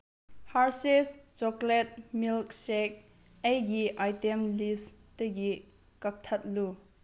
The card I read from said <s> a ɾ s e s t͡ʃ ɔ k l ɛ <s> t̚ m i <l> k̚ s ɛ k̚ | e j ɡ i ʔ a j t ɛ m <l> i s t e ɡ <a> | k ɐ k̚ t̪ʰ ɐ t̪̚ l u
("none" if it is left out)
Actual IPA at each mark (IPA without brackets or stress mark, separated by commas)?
h, none, l, l, i